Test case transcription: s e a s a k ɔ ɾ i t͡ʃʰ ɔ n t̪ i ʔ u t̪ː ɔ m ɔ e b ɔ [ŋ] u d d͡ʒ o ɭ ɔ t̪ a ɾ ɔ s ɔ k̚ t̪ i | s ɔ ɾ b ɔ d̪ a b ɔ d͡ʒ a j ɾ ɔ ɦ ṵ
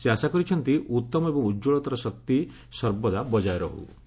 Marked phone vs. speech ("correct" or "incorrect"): correct